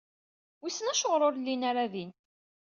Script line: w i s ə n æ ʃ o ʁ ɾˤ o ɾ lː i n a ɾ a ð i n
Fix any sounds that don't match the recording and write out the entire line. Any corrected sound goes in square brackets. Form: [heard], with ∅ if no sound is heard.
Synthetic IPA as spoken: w i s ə n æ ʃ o ʁ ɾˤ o ɾ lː i n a ɾ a ð i n